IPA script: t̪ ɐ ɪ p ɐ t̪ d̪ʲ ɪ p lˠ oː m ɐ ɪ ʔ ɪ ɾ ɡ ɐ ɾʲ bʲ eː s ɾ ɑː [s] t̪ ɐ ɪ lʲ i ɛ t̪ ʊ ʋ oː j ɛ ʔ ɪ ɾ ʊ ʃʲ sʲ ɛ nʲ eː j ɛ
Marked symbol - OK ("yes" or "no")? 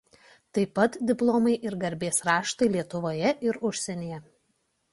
no